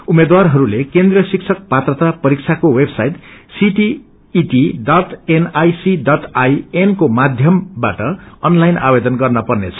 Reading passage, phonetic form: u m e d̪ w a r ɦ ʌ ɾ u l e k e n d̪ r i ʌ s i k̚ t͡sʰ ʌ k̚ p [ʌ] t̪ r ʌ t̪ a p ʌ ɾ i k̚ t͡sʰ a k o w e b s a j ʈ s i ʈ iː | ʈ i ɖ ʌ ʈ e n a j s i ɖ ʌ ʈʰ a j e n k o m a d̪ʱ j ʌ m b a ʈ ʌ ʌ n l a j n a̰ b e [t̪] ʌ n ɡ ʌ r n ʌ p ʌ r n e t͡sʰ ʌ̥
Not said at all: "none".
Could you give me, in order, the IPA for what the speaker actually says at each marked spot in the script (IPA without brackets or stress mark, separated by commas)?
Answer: a, d̪